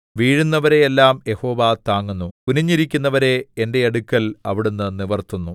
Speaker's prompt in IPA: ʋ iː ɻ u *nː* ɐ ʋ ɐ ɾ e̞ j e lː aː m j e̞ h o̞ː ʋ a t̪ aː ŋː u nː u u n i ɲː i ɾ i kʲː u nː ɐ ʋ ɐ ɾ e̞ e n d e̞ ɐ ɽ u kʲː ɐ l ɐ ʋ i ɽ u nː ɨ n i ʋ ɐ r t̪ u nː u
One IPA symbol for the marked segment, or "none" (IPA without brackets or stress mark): nː